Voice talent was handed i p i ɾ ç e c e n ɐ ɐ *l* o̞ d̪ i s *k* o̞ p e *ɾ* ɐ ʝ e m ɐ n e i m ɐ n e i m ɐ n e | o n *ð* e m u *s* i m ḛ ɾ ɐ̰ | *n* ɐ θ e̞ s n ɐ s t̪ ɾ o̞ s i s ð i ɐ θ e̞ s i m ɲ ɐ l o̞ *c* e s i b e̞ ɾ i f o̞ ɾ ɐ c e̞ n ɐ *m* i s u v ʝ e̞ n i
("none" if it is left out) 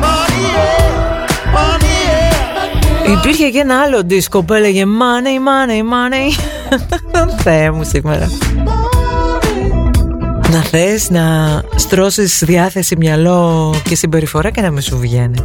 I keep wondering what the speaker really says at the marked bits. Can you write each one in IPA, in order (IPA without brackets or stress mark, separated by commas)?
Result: l, k, l, θ, s, n, c, m